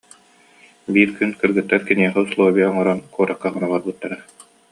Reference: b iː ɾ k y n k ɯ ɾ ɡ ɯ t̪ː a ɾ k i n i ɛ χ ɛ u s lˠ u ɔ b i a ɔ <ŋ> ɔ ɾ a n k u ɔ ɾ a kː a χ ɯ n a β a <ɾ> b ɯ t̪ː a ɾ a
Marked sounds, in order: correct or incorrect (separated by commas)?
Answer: correct, correct